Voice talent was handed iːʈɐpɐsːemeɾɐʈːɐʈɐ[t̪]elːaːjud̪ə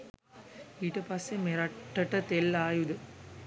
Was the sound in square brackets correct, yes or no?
yes